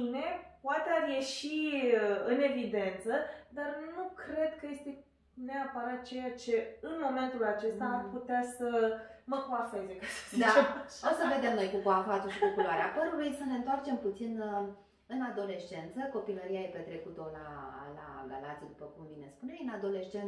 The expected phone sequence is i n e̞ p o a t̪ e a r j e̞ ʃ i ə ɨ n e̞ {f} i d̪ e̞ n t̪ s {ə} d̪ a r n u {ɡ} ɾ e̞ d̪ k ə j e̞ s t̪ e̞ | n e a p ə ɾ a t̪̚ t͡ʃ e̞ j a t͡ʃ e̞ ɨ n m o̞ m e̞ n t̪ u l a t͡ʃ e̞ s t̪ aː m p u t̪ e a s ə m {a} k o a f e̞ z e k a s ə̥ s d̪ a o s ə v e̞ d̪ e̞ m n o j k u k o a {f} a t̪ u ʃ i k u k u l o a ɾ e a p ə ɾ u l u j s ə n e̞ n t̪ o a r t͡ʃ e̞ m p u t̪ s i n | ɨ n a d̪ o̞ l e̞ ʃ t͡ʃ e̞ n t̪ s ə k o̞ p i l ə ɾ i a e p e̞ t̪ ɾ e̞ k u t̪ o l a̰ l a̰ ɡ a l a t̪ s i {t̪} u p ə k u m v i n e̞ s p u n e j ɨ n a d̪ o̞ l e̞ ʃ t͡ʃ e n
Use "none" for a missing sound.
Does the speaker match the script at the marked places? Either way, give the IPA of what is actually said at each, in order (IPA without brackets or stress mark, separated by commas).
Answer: v, ə, k, ə, f, d̪